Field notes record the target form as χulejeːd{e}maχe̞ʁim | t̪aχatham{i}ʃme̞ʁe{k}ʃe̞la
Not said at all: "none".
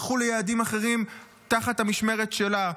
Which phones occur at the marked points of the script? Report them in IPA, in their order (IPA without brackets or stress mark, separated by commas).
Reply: i, i, t